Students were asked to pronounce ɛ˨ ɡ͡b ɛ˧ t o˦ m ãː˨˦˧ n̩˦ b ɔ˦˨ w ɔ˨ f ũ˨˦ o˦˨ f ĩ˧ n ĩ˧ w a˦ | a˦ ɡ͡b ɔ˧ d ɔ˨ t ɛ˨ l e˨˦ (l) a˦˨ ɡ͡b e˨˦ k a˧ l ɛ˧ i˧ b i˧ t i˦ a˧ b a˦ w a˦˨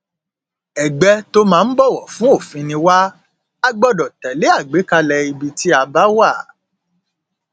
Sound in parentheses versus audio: incorrect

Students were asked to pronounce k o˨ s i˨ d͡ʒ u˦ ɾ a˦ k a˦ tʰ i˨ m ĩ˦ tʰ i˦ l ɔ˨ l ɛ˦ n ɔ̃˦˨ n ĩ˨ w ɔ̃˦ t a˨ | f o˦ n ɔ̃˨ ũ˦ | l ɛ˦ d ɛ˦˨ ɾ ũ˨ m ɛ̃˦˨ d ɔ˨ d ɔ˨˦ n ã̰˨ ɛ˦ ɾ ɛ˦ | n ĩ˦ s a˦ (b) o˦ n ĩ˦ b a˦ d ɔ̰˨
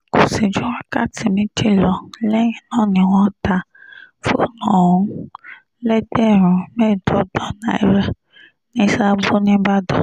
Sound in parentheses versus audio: correct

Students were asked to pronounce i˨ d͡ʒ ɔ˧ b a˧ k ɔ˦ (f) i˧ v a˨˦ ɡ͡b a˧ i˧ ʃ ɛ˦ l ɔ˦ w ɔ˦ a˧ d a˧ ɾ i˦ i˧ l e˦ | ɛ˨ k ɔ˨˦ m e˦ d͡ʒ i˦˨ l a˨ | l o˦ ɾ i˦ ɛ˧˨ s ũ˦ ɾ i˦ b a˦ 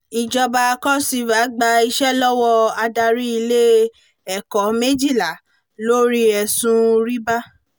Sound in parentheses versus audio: incorrect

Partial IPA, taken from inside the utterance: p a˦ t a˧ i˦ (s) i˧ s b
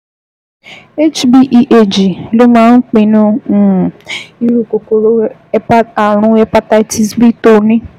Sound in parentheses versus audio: incorrect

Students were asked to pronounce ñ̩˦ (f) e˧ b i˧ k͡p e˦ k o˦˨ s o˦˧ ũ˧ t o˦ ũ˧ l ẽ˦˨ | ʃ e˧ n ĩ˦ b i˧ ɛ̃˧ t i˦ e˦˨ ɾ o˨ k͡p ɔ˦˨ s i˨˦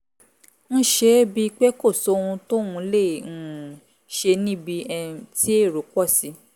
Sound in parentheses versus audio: incorrect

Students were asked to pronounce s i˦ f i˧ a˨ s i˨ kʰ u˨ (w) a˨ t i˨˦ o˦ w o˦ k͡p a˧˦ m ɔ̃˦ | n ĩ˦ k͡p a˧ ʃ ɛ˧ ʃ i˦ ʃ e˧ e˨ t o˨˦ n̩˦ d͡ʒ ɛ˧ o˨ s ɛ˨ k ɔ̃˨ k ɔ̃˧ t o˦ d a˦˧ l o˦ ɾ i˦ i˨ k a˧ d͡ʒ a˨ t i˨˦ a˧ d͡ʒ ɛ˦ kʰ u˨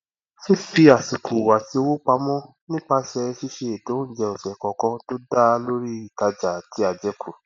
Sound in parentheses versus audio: correct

